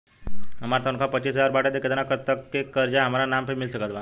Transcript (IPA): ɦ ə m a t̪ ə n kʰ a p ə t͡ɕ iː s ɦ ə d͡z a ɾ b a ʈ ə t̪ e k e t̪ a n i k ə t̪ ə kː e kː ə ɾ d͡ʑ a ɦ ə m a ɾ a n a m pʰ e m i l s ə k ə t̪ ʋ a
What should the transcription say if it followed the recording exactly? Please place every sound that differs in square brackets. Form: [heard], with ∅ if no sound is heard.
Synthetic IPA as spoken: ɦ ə m a t̪ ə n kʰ a p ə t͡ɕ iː s ɦ ə d͡z a ɾ b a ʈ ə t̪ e k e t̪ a n [a] k ə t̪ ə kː e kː ə ɾ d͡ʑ a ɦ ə m a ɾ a n a m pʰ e m i l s ə k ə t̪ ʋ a